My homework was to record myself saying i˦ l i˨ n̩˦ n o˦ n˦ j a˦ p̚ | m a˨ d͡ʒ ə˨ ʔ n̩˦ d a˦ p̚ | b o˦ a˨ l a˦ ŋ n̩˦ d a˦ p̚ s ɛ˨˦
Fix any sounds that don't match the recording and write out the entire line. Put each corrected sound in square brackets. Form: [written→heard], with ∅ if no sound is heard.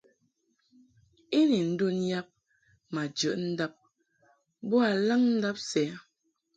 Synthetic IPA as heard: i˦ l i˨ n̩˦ [n→d] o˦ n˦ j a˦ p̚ | m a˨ d͡ʒ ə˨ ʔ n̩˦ d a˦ p̚ | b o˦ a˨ l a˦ ŋ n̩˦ d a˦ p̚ s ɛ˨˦